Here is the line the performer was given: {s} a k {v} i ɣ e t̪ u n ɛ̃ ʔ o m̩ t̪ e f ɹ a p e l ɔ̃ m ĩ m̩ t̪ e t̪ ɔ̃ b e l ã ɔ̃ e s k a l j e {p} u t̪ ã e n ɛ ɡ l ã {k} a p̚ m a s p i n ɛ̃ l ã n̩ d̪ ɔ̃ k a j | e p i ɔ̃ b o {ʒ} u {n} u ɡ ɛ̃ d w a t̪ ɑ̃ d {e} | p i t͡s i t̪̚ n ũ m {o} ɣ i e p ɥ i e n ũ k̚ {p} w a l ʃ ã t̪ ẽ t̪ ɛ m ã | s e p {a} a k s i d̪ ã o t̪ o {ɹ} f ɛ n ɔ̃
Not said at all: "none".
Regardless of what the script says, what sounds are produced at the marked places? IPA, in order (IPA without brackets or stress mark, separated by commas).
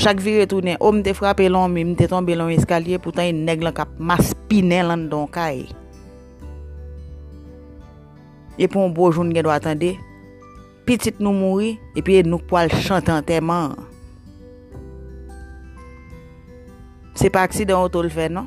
ʃ, v, p, k, ʒ, n, e, u, p, a, l